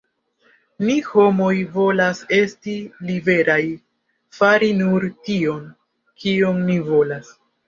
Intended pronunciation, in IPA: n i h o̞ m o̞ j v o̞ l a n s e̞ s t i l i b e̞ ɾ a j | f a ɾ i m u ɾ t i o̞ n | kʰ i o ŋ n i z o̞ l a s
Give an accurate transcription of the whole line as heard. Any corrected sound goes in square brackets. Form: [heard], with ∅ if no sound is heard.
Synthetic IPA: n i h o̞ m o̞ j v o̞ l a [∅] s e̞ s t i l i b e̞ ɾ a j | f a ɾ i [n] u ɾ t i o̞ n | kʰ i o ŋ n i [v] o̞ l a s

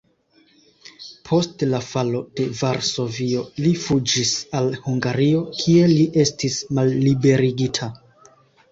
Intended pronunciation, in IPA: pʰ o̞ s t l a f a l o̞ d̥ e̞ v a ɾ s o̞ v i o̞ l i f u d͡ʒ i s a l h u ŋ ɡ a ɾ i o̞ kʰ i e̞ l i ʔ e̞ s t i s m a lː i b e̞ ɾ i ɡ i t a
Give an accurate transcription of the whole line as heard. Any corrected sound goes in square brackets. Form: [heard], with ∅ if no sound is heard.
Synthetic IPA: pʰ o̞ s t l a f a l o̞ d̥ e̞ v a ɾ s o̞ v i o̞ l i f u d͡ʒ i s a l h u ŋ ɡ a ɾ i o̞ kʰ i e̞ l i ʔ e̞ s t i s m a lː i b e̞ ɾ i ɡ i [tʰ] a

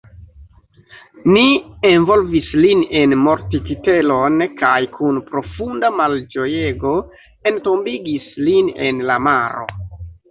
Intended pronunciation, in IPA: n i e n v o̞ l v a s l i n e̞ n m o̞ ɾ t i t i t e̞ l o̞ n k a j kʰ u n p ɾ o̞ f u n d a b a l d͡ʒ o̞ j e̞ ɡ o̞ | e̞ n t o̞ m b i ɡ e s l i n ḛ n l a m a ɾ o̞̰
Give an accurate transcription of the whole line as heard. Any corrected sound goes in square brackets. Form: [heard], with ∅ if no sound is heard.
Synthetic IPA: n i e n v o̞ l v [i] s l i n e̞ n m o̞ ɾ t i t i t e̞ l o̞ n k a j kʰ u n p ɾ o̞ f u n d a [m] a l d͡ʒ o̞ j e̞ ɡ o̞ | e̞ n t o̞ m b i ɡ [i] s l i n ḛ n l a m a ɾ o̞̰

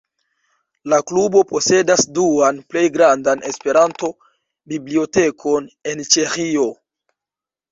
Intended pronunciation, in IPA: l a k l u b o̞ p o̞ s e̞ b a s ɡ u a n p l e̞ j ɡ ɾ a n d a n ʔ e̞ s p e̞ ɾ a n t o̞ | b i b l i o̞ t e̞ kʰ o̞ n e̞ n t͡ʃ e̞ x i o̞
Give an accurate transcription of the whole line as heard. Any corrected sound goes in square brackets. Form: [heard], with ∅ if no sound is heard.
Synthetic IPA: l a k l u b o̞ p o̞ s e̞ [d] a s [d] u a n p l e̞ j ɡ ɾ a n d a n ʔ e̞ s p e̞ ɾ a n t o̞ | b i b l i o̞ t e̞ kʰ o̞ n e̞ n t͡ʃ e̞ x i o̞

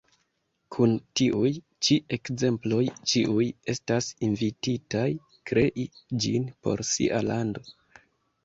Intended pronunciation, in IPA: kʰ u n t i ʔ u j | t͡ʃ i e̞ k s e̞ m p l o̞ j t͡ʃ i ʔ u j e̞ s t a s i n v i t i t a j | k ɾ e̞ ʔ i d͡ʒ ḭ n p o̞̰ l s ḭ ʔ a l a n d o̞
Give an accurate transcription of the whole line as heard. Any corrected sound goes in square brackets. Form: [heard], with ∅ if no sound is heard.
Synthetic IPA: kʰ u n t i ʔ u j | t͡ʃ i e̞ k [z] e̞ m p l o̞ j t͡ʃ i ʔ u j e̞ s t a s i n v i t i t a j | k ɾ e̞ ʔ i d͡ʒ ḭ n p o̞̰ [ɾ] s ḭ ʔ a l a n d o̞

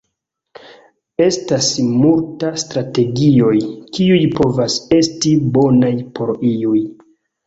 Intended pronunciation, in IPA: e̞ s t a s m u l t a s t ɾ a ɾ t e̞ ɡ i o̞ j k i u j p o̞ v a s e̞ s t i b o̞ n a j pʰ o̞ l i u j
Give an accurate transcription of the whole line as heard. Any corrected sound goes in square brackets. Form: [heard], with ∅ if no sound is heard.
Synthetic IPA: e̞ s t a s m u l t a s t ɾ a [∅] t e̞ ɡ i o̞ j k i u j p o̞ v a s e̞ s t i b o̞ n a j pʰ o̞ [ɾ] i u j

